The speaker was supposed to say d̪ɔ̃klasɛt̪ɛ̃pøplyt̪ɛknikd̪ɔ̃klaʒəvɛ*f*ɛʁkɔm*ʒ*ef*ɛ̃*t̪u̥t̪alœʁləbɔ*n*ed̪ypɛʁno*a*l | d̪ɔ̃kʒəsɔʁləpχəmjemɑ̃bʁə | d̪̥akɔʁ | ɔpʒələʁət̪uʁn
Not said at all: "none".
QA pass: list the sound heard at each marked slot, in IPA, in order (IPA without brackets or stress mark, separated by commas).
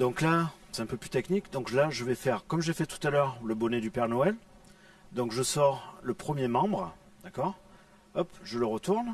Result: f, ʒ, ɛ, n, ɛ